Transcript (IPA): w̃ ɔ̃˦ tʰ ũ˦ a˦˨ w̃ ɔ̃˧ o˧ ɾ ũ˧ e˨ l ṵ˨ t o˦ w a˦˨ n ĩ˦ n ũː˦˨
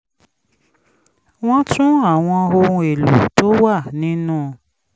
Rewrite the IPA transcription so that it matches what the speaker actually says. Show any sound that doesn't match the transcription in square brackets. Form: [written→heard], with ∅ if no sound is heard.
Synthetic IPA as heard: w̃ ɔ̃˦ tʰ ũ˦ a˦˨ w̃ ɔ̃˧ o˧ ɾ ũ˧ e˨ l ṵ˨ t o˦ w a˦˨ n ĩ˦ n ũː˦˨